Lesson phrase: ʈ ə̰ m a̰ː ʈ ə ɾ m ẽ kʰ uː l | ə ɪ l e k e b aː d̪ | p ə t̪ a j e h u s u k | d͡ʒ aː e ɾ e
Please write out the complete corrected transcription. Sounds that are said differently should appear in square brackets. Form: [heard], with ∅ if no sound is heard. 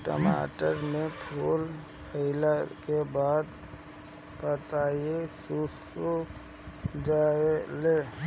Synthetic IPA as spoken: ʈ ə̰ m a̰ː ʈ ə ɾ m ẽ [pʰ] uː l | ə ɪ l [a] k e b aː d̪ | p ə t̪ a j e [s] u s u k | d͡ʒ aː e [l] e